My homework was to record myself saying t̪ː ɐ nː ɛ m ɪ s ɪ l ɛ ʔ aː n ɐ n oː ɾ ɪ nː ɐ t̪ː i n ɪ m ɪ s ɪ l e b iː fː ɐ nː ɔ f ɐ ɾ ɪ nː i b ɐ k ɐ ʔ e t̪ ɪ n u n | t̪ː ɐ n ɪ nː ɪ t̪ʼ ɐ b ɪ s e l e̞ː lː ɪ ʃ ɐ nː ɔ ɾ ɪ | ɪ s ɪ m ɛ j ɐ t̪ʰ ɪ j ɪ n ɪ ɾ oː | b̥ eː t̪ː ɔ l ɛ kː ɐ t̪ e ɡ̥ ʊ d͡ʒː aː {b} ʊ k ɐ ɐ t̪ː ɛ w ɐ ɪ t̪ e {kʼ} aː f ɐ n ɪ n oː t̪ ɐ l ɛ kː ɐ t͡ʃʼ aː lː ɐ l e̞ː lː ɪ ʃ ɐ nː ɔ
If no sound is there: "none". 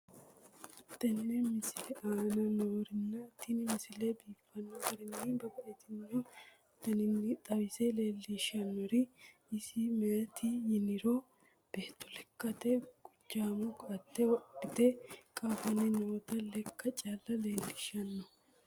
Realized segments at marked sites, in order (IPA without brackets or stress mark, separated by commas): m, kʼ